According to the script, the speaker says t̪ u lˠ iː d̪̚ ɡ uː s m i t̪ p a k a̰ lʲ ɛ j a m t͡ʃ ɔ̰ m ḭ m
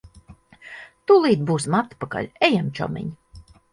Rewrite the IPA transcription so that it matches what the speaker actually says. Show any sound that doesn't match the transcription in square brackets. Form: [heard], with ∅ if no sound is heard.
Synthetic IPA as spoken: t̪ u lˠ iː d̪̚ [b] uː s m [a] t̪ p a k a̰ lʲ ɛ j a m t͡ʃ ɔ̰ m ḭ [ɲ]